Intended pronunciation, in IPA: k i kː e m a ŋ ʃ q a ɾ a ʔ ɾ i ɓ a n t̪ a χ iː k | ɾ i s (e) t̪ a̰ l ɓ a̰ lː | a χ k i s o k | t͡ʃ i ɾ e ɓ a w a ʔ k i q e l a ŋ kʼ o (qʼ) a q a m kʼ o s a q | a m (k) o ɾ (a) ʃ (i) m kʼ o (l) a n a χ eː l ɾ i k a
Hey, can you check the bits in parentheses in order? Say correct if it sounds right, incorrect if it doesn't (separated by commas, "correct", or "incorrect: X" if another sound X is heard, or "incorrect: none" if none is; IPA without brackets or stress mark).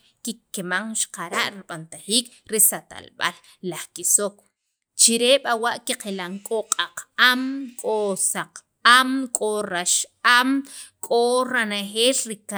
incorrect: a, correct, incorrect: kʼ, correct, incorrect: a, incorrect: ɾ